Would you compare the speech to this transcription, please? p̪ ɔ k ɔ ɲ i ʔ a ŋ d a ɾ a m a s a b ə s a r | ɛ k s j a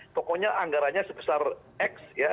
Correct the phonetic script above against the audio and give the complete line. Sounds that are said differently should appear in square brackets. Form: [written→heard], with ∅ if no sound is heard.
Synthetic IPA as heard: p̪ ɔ k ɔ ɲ [i→a] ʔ a ŋ [d→ɡ] a ɾ a [m→ɲ] a s [a→ə] b ə s a r | ɛ k s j a